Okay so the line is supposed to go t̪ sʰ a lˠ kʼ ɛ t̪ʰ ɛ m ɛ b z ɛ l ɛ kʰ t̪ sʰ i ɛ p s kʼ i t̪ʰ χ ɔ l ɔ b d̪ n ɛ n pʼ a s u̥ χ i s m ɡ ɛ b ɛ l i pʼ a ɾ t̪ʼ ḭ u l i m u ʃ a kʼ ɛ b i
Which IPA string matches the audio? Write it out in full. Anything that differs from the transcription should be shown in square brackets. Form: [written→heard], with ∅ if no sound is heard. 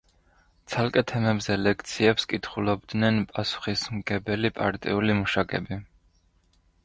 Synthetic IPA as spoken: t̪ sʰ a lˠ kʼ ɛ t̪ʰ ɛ m ɛ b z ɛ l ɛ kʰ t̪ sʰ i ɛ p s kʼ i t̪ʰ χ [ɔ→u] l ɔ b d̪ n ɛ n pʼ a s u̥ χ i s m ɡ ɛ b ɛ l i pʼ a ɾ t̪ʼ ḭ u l i m u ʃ a kʼ ɛ b i